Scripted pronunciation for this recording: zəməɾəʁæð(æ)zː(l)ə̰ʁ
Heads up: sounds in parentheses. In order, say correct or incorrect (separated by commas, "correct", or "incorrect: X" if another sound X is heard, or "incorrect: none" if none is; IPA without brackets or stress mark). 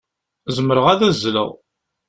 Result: correct, correct